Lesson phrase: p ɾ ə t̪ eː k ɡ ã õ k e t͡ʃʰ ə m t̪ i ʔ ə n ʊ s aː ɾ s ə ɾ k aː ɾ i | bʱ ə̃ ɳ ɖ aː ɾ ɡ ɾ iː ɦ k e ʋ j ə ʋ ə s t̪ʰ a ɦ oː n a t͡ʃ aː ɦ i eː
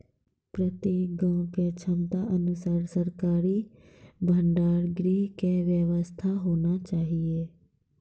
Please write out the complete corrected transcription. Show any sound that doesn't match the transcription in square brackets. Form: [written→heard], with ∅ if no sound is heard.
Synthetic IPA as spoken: p ɾ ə t̪ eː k ɡ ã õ k e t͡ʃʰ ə m t̪ [i→a] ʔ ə n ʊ s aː ɾ s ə ɾ k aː ɾ i | bʱ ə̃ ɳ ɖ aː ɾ ɡ ɾ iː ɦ k e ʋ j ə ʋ ə s t̪ʰ a ɦ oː n a t͡ʃ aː ɦ i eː